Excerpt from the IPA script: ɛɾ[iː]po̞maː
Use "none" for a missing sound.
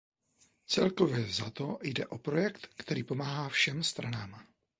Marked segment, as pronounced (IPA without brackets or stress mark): iː